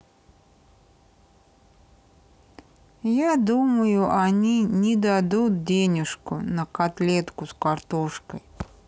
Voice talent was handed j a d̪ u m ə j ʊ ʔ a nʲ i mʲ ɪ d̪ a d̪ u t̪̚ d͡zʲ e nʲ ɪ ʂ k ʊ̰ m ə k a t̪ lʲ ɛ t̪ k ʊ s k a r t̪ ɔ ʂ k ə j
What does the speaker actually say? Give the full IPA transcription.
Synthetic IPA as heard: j a d̪ u m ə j ʊ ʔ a nʲ i nʲ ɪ d̪ a d̪ u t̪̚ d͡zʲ e nʲ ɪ ʂ k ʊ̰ n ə k a t̪ lʲ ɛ t̪ k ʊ s k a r t̪ ɔ ʂ k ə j